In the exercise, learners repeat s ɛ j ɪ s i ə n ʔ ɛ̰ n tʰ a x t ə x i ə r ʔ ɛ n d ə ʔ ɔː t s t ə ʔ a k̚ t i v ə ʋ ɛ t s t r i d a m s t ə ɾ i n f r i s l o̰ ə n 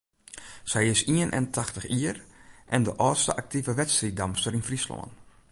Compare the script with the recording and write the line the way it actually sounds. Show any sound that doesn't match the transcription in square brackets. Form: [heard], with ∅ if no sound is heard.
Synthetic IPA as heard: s ɛ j ɪ s i ə n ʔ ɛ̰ n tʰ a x t ə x i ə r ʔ ɛ n d ə ʔ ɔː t s t ə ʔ a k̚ t i v ə ʋ ɛ t s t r i d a m s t ə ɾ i n f r i s l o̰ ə n